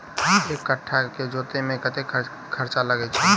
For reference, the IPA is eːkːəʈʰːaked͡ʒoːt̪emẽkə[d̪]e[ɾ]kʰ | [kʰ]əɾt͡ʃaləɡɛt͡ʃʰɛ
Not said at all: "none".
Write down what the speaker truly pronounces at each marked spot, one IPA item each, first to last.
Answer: t̪, none, kʰ

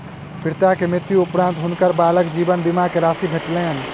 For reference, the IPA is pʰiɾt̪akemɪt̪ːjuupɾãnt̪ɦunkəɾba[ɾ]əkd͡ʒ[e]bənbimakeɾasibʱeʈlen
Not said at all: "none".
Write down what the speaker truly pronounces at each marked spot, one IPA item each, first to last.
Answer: l, i

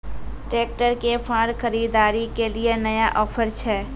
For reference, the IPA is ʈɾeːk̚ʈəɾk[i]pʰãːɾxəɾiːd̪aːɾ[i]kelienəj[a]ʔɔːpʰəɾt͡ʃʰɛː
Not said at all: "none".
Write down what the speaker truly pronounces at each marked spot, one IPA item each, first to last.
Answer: e, i, a

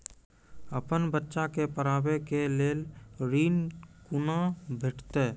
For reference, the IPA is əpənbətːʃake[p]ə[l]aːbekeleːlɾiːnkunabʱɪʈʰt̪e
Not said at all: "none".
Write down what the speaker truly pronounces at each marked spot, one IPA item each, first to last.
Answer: p, ɾ

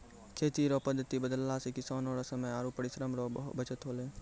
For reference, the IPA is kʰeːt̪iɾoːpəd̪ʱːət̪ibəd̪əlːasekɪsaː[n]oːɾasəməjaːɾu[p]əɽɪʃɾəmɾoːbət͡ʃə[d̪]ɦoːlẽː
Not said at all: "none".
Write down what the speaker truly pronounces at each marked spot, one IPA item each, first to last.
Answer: n, p, t̪

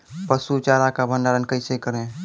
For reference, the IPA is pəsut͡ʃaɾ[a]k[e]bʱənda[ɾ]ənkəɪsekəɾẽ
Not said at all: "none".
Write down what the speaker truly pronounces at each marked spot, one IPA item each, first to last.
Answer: a, a, ɾ

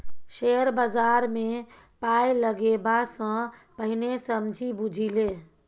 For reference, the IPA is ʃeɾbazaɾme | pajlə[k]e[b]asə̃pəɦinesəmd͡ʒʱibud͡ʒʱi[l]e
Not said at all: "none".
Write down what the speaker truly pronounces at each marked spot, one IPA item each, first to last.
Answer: ɡ, b, l

